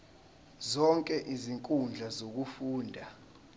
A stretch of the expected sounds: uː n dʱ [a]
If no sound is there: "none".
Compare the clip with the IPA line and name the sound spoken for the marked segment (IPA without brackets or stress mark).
a